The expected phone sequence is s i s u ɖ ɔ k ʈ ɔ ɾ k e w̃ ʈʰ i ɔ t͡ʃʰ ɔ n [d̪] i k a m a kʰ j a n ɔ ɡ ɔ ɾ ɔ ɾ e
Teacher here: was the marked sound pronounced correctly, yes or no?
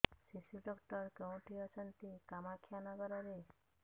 no